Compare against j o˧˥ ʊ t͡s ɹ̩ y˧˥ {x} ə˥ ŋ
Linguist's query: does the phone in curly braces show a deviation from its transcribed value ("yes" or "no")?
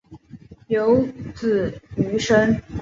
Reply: yes